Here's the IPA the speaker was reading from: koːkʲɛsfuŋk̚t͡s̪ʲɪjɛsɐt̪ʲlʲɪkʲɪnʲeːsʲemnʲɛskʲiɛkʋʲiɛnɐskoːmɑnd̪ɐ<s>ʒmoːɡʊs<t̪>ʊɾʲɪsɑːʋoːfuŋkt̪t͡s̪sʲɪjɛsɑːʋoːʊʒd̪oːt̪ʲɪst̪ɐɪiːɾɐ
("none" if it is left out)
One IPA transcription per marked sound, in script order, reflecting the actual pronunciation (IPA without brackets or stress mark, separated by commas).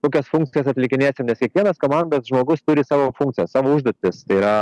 s, t̪